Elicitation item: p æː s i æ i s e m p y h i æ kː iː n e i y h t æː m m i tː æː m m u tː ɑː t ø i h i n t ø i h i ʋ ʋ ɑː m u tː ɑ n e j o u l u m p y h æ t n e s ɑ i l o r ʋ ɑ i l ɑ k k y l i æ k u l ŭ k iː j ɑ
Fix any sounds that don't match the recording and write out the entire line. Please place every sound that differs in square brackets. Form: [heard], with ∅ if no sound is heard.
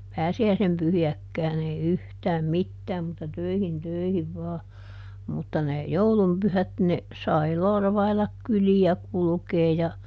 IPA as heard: p æː s i æ i s e m p y h i æ kː [æː] n e i y h t æː m m i tː æː m m u tː [ɑ] t ø i h i n t ø i h i ʋ ʋ ɑː m u tː ɑ n e j o u l u m p y h æ t n e s ɑ i l o r ʋ ɑ i l ɑ k k y l i æ k u l ŭ k [eː] j ɑ